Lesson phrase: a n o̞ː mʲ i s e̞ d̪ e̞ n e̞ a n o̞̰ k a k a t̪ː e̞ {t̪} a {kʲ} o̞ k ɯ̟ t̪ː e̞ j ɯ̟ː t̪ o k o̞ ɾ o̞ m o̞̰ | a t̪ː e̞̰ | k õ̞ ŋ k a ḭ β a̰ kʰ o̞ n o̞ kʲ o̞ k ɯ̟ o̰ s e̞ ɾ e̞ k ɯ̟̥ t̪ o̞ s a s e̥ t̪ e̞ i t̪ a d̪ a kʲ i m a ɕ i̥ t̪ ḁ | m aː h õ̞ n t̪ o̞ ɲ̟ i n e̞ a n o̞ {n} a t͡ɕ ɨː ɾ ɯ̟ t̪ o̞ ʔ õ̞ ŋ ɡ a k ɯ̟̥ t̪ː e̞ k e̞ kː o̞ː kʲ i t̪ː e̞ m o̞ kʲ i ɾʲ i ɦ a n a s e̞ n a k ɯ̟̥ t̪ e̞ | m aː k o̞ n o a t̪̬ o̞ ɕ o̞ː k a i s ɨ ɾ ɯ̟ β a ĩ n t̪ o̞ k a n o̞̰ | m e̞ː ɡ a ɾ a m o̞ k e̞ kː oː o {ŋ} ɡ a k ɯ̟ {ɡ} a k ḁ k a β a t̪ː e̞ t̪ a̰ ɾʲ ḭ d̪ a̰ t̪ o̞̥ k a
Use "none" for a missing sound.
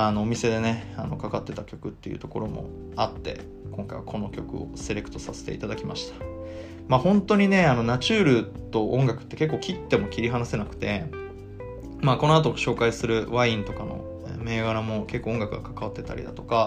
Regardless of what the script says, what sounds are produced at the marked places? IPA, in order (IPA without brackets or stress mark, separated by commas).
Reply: t̪, kʲ, n, ŋ, ɡ